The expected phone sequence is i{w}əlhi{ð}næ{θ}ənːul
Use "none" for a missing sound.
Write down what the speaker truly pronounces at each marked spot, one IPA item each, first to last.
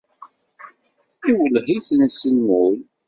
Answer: w, θ, s

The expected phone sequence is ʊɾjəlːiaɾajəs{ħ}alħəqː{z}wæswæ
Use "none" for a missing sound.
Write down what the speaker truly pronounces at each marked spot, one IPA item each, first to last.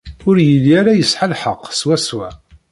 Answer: ħ, s

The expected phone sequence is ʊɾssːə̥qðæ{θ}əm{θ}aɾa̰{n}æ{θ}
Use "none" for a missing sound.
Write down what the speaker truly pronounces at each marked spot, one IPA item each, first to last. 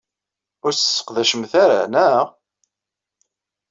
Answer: ʃ, θ, n, none

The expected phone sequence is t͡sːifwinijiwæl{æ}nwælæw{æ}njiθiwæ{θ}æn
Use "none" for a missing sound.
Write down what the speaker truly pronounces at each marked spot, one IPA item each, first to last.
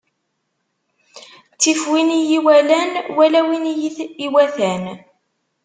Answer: æ, i, θ

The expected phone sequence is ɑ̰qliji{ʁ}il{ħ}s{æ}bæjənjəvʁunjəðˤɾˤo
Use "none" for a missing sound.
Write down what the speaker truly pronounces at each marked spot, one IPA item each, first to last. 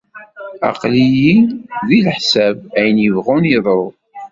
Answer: ð, ħ, æ

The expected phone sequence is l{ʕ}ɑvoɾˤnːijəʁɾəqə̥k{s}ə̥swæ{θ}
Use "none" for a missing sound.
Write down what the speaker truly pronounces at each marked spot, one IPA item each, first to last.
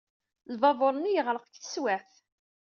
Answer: v, θ, θ

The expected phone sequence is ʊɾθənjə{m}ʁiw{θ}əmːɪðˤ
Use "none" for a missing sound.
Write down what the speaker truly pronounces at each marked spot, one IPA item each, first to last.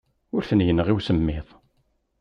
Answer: n, s

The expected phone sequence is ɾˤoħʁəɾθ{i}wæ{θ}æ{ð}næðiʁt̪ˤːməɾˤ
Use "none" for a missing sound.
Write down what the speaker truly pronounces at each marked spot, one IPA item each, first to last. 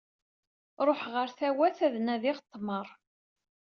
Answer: æ, θ, ð

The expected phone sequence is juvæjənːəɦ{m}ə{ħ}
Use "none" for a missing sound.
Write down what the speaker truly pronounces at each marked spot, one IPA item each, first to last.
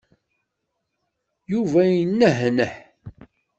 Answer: n, ħ

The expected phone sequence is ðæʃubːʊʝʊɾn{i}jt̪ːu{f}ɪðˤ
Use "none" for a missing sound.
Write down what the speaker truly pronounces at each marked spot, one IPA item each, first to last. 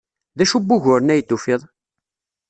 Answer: æ, f

